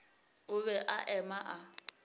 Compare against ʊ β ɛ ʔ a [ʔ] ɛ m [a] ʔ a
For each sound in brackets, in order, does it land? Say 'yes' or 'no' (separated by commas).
yes, yes